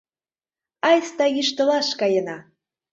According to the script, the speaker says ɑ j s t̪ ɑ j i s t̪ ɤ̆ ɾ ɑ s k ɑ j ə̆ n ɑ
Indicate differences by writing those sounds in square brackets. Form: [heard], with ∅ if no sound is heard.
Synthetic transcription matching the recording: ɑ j s t̪ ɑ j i [ʃ] t̪ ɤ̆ [l] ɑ [ʃ] k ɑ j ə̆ n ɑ

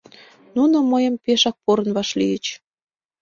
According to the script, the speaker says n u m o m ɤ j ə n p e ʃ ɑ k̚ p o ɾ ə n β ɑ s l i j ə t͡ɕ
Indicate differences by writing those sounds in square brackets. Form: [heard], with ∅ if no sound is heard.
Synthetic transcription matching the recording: n u [n] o m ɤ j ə [m] p e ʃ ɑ k̚ p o ɾ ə n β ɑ [ʃ] l i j ə t͡ɕ

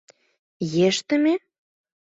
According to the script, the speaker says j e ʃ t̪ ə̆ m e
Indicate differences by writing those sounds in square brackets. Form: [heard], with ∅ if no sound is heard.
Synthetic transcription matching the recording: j e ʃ t̪ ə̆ m e

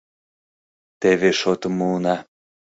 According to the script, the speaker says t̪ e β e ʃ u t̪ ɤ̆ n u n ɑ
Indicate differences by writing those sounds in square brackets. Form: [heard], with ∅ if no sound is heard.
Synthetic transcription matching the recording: t̪ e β e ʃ [o] t̪ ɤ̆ [m] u n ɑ

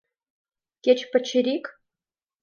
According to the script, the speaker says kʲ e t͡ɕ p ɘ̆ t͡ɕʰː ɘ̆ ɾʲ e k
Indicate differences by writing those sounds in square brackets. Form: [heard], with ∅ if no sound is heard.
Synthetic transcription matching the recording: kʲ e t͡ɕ p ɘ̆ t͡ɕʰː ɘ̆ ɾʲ [i] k

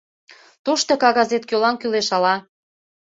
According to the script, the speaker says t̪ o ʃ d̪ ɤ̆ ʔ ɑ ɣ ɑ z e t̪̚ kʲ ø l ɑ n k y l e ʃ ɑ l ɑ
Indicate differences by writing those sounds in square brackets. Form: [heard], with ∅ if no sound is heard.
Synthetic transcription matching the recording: t̪ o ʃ [t̪] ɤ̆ [k] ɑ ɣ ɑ z e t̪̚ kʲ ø l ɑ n k y l e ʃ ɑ l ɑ

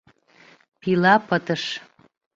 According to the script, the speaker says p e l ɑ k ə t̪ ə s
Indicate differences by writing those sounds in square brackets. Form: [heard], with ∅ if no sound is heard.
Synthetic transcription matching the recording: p [i] l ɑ [p] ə t̪ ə [ʃ]

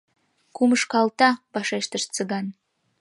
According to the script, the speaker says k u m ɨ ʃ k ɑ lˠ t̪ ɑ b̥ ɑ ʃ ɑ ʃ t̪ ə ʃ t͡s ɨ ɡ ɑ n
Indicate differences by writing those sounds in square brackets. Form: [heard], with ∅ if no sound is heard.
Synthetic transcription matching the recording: k u m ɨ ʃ k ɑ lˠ t̪ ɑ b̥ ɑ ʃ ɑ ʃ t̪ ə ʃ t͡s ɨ ɡ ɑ n

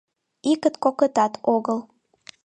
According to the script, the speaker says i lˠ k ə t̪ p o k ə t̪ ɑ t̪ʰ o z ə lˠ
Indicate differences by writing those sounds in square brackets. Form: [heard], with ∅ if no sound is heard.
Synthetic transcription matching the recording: i [∅] k ə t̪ [k] o k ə t̪ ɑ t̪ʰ o [ɣ] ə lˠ

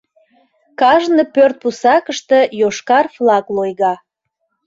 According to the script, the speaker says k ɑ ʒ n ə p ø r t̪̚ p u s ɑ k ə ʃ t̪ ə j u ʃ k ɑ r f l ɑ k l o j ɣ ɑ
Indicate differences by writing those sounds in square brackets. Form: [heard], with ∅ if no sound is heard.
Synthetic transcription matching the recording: k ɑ ʒ n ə p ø r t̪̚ p u s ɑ k ə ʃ t̪ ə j [o] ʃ k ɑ r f l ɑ k l o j ɣ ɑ

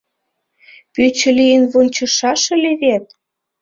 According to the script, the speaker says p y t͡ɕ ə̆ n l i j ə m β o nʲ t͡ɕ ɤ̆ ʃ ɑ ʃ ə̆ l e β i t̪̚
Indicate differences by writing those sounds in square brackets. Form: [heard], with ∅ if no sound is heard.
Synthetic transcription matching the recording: p y t͡ɕ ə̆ [∅] l i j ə [n] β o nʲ t͡ɕ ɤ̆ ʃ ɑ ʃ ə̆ l e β [e] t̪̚

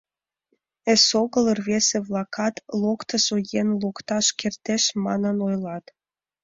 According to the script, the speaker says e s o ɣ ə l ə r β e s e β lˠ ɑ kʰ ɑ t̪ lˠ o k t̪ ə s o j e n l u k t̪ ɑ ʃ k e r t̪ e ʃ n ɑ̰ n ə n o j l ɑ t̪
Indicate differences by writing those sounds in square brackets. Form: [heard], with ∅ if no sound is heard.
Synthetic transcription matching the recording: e s o ɣ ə l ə r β e s e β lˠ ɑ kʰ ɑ t̪ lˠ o k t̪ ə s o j e n l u k t̪ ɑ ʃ k e r t̪ e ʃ [m] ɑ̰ n ə n o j l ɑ t̪

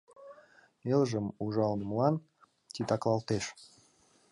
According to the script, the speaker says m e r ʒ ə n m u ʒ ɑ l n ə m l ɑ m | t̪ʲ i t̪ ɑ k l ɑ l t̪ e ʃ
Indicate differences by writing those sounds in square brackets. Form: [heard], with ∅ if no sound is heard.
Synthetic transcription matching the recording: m e [l] ʒ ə [∅] m u ʒ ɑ l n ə m l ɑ [n] | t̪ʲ i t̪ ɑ k l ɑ l t̪ e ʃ

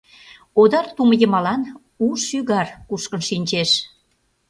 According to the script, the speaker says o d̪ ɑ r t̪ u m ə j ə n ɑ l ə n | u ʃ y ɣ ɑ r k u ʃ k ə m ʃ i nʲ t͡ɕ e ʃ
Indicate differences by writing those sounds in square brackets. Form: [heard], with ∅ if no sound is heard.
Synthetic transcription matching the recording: o d̪ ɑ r t̪ u m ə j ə [m] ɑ l [ɑ] n | u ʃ y ɣ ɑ r k u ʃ k ə [n] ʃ i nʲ t͡ɕ e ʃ

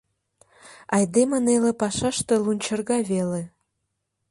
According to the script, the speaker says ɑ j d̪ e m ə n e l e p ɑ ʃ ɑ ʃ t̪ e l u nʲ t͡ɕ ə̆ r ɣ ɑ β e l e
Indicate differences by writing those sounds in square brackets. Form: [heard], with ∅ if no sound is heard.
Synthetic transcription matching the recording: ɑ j d̪ e m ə n e l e p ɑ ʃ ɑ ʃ t̪ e l u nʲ t͡ɕ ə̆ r ɣ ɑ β e l e

